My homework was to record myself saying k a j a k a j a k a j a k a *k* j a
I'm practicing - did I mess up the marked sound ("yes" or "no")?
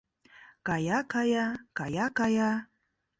yes